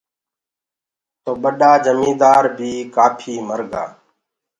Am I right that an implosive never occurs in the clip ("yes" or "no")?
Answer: no